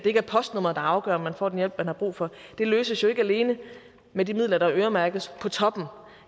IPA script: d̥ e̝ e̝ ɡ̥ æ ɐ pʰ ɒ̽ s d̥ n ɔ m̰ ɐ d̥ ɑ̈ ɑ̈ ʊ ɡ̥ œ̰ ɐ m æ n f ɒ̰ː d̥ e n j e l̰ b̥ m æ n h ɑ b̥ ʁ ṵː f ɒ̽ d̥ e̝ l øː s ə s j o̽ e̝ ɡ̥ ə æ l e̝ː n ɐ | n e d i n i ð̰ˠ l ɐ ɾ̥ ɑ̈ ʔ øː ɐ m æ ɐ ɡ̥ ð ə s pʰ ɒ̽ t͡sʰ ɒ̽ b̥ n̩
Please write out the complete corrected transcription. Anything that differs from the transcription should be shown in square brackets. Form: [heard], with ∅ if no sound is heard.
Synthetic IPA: d̥ e̝ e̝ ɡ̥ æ ɐ pʰ ɒ̽ s d̥ n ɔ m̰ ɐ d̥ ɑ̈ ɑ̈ ʊ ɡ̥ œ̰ ɐ m æ n f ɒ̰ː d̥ e n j e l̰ b̥ m æ n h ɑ b̥ ʁ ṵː f ɒ̽ d̥ e̝ l øː s ə s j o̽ e̝ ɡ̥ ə æ l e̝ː n [ə] | [m] e d i [m] i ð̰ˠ l ɐ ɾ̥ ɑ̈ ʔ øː ɐ m æ ɐ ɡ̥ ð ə s pʰ ɒ̽ t͡sʰ ɒ̽ b̥ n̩